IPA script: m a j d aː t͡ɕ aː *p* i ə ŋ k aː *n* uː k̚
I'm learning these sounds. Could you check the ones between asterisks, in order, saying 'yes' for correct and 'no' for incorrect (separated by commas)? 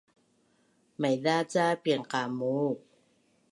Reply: yes, no